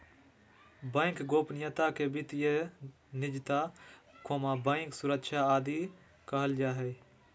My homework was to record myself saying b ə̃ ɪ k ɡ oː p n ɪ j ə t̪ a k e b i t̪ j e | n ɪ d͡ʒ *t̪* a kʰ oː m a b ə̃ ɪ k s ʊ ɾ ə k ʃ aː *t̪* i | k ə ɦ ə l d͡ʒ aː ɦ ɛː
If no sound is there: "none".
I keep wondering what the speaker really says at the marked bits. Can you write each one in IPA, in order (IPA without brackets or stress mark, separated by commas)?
t̪, d̪